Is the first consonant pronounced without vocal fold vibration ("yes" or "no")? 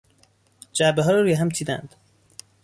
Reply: no